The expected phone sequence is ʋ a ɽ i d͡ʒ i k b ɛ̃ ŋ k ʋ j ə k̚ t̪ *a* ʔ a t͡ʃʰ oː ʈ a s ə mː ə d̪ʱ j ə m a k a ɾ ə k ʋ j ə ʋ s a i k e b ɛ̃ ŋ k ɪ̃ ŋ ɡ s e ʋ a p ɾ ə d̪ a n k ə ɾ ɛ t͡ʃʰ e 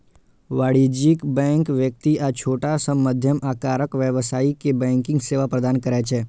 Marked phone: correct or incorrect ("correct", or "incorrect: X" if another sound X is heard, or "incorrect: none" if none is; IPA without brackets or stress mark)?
incorrect: i